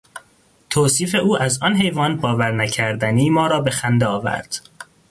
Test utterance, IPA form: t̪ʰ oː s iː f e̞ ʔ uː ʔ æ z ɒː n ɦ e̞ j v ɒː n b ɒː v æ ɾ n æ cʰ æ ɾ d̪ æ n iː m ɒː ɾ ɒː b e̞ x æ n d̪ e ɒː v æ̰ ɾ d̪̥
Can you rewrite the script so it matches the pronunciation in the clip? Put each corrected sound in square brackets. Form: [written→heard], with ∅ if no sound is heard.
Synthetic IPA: t̪ʰ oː s iː f e̞ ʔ uː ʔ æ z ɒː n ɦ e̞ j v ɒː n b ɒː v æ ɾ n æ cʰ æ ɾ d̪ æ n iː m ɒː ɾ ɒː b e̞ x æ n d̪ e ɒː v æ̰ ɾ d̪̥